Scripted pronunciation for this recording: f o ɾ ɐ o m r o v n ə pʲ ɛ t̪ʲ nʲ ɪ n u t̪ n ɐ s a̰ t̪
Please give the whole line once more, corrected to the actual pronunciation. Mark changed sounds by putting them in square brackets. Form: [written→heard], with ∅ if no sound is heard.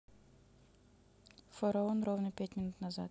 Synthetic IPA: f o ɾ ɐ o [m→n] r o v n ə pʲ [ɛ→æ] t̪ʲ [nʲ→mʲ] ɪ n u t̪ n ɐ [s→z] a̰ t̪